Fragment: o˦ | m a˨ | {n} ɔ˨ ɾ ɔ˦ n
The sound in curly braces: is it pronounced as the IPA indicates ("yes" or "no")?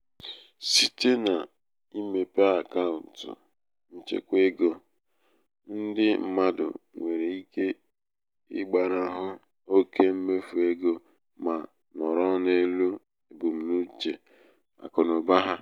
yes